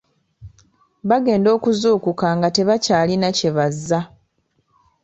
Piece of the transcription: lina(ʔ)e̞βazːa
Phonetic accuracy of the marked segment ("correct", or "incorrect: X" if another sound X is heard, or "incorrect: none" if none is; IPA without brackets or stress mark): incorrect: c